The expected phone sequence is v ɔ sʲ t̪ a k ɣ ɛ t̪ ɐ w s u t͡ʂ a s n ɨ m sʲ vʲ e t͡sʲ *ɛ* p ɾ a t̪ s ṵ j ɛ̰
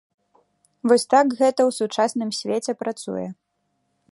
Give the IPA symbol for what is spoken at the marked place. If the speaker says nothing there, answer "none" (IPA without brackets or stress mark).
ɛ